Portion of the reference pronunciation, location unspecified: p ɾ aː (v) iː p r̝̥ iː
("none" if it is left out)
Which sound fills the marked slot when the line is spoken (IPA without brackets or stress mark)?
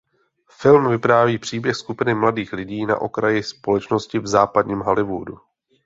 v